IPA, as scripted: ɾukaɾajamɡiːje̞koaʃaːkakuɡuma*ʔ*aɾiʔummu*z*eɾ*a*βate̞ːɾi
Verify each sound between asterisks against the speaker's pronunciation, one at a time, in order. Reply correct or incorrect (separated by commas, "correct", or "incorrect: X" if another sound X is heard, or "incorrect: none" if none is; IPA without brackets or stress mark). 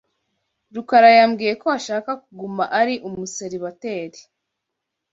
correct, incorrect: s, incorrect: i